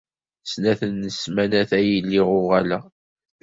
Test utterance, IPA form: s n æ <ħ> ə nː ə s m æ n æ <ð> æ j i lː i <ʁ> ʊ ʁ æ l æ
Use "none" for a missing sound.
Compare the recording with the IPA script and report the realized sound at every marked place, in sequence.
θ, θ, ʁ

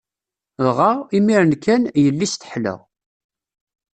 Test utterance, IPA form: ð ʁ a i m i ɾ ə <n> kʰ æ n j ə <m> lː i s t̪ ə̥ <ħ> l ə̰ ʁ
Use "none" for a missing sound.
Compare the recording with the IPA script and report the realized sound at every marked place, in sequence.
n, none, ħ

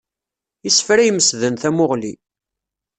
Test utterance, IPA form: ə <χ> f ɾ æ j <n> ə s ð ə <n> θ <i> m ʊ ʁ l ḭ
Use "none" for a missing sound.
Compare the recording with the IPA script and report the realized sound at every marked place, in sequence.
s, m, n, æ

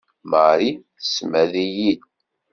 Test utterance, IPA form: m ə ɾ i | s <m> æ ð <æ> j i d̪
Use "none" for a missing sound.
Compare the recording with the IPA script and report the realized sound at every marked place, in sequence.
m, i

